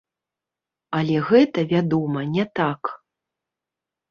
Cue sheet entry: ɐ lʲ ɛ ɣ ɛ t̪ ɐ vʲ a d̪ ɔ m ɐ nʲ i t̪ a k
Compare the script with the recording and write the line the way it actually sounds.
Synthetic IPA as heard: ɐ lʲ ɛ ɣ ɛ t̪ ɐ vʲ a d̪ ɔ m ɐ nʲ ɛ t̪ a k